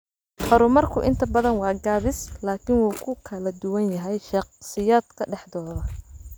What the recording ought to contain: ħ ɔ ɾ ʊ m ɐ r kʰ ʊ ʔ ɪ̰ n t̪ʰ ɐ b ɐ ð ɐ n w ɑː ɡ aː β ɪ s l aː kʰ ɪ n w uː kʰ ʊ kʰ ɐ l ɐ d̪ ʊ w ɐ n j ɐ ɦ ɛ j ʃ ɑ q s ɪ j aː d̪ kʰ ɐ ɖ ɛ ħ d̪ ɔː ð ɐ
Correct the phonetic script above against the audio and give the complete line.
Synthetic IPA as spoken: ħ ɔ ɾ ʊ m ɐ r kʰ ʊ ʔ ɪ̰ n t̪ʰ ɐ b ɐ ð ɐ n w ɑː ɡ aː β ɪ s l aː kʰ ɪ n w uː kʰ ʊ kʰ ɐ l ɐ d̪ ʊ w ɐ n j ɐ ɦ ɛ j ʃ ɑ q s ɪ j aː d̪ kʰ ɐ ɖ ɛ ħ d̪ ɔː ð ɐ